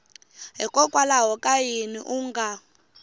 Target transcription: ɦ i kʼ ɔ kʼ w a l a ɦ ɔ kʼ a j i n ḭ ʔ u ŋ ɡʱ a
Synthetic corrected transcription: ɦ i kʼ ɔ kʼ w a l a ɦ ɔ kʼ a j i n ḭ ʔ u ŋ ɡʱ a